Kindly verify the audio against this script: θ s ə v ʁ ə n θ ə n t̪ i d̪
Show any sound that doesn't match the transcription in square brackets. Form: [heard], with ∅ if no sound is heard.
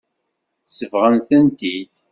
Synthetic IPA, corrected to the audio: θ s ə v ʁ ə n θ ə n t̪ i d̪